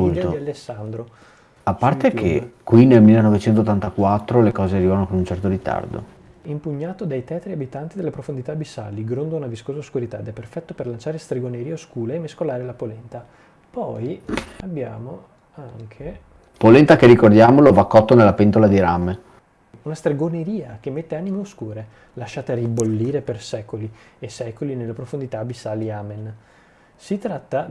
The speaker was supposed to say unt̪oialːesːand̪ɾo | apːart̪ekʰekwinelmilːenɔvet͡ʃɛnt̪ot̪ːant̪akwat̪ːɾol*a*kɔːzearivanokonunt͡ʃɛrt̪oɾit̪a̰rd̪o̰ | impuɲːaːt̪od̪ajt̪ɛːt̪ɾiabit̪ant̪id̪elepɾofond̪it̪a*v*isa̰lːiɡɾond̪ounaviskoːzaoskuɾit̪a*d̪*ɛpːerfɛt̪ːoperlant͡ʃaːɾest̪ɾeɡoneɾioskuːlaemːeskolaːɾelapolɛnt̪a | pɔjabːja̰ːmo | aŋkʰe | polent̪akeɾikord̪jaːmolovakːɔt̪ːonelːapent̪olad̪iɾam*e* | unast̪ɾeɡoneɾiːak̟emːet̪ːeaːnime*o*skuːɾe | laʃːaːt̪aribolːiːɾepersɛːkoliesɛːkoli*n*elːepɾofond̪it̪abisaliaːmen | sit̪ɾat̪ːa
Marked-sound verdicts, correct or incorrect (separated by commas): incorrect, incorrect, correct, correct, correct, correct